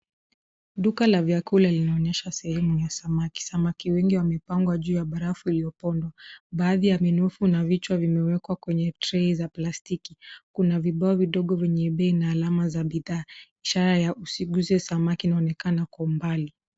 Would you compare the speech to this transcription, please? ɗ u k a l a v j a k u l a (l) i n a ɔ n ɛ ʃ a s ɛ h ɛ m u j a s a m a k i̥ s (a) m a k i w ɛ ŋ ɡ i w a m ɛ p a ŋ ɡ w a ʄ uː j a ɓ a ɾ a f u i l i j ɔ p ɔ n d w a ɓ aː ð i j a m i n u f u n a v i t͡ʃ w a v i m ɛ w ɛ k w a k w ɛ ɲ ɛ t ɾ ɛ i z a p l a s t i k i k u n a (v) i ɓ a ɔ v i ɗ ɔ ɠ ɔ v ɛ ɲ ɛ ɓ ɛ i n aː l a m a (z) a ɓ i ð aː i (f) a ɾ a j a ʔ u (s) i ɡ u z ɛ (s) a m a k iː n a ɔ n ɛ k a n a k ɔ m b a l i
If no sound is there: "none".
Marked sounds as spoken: l, a, v, z, ʃ, s, s

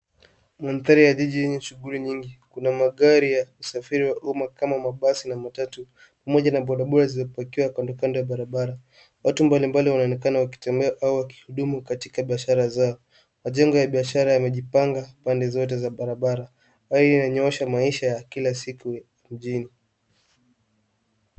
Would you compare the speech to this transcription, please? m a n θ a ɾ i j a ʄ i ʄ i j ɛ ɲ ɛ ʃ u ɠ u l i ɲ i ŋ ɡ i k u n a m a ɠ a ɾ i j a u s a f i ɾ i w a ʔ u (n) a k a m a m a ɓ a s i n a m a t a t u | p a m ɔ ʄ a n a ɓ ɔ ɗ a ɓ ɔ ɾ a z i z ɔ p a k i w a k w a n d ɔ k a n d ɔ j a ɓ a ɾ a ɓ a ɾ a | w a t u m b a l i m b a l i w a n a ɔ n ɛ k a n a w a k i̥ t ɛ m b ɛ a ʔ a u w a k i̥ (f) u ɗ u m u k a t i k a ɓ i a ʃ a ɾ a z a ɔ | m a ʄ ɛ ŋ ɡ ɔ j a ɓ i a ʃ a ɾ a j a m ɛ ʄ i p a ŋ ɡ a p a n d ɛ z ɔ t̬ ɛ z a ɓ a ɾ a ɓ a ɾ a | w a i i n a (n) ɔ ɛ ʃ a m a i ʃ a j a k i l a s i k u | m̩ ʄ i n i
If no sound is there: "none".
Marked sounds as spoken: m, h, ɲ

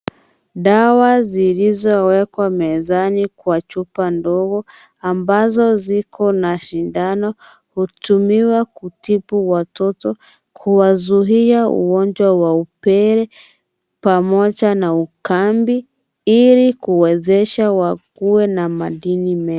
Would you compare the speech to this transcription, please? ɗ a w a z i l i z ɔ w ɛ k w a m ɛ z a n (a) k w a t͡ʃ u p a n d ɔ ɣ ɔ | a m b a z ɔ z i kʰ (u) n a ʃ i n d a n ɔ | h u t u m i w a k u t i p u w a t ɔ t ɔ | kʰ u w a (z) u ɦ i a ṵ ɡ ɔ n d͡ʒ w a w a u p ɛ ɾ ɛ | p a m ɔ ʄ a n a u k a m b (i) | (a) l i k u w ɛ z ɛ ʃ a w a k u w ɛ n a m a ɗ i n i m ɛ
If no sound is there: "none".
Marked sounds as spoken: i, ɔ, z, i, i

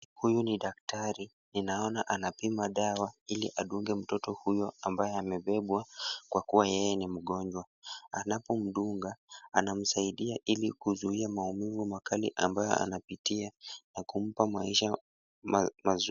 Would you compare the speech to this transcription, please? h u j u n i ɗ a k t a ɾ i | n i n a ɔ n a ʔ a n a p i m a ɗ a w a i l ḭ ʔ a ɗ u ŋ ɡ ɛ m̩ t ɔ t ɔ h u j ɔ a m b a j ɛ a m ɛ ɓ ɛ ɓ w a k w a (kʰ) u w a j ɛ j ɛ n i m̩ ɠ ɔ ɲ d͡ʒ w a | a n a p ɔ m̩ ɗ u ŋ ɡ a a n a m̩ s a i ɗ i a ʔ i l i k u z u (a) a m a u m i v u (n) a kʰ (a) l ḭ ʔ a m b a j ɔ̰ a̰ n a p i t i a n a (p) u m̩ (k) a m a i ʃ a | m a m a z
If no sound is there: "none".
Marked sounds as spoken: k, i, m, a, k, p

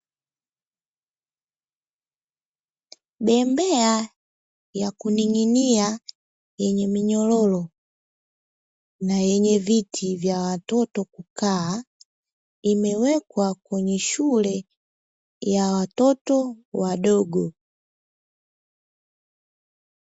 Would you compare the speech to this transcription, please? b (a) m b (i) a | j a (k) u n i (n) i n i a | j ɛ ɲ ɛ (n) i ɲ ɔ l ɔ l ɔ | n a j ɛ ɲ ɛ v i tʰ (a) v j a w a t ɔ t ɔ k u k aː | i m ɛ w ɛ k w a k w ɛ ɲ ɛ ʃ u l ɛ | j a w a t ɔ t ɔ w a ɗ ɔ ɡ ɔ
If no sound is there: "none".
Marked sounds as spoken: ɛ, ɛ, k, ŋ, m, i

